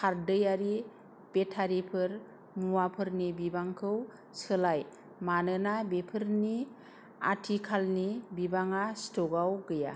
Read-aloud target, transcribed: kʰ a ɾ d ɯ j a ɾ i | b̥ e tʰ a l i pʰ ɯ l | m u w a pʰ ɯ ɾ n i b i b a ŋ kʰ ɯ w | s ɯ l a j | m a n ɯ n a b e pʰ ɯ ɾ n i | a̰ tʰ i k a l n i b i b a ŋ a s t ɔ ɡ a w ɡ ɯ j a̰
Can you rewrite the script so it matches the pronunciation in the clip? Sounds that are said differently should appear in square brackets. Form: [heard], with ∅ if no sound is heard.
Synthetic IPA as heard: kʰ a ɾ d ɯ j a ɾ i | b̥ e tʰ a [ɾ] i pʰ ɯ [ɾ] | m u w a pʰ ɯ ɾ n i b i b a ŋ kʰ ɯ w | s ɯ l a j | m a n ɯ n a b e pʰ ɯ ɾ n i | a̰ tʰ i [kʰ] a l n i b i b a ŋ a s t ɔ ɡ a w ɡ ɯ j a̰